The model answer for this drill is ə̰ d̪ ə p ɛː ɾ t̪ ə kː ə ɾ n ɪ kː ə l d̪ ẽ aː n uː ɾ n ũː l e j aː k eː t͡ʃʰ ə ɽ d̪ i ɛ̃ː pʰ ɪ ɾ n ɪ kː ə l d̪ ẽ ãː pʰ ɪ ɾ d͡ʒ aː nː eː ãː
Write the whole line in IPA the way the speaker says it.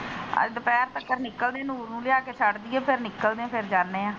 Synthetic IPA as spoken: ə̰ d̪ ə p ɛː ɾ t̪ ə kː ə ɾ n ɪ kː ə l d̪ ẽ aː n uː ɾ n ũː l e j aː k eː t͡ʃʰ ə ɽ d̪ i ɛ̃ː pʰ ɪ ɾ n ɪ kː ə l d̪ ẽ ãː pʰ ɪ ɾ d͡ʒ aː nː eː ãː